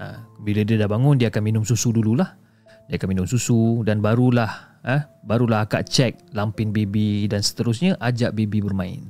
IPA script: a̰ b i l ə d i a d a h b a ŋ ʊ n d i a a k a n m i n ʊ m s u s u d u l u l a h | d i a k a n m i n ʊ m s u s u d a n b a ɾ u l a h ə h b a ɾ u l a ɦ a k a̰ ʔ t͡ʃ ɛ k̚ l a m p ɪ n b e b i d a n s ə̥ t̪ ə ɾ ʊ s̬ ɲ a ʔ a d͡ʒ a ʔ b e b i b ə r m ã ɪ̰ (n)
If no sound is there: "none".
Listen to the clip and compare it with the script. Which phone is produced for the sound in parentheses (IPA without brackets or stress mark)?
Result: n